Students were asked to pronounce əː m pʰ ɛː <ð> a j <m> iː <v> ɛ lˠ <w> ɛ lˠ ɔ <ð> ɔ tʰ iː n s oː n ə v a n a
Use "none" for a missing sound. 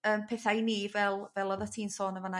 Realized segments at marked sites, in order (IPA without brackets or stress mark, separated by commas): θ, n, v, v, ð